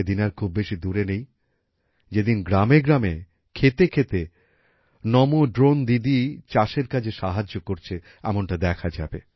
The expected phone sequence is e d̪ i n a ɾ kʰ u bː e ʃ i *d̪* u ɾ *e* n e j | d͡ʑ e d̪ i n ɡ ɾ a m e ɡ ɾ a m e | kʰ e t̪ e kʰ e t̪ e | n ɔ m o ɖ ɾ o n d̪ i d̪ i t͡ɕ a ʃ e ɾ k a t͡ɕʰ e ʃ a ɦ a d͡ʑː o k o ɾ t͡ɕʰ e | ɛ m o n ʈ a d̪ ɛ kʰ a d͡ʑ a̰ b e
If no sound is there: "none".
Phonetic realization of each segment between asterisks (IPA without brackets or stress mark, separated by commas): d̪, e